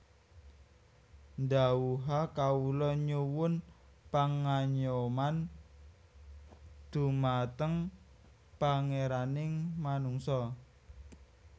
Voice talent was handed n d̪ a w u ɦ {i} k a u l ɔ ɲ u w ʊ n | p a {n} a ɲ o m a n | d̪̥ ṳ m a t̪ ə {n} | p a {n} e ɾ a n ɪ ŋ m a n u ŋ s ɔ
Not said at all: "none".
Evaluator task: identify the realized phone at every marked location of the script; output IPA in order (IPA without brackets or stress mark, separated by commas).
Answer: a, ŋ, ŋ, ŋ